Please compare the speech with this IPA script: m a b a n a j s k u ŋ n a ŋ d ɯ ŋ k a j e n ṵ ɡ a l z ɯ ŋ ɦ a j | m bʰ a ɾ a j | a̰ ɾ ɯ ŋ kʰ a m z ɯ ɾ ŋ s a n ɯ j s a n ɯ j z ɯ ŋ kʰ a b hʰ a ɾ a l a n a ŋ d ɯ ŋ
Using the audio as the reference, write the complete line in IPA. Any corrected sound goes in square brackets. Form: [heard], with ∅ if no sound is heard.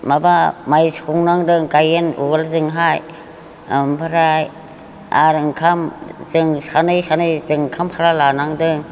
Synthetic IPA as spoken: m a b a [m] a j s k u ŋ n a ŋ d ɯ ŋ k a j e n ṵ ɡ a l z ɯ ŋ ɦ a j | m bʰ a ɾ a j | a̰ ɾ ɯ ŋ kʰ a m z ɯ [∅] ŋ s a n ɯ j s a n ɯ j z ɯ ŋ kʰ a [m] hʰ a ɾ a l a n a ŋ d ɯ ŋ